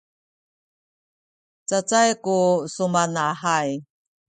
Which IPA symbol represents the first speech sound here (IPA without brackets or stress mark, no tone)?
t͡s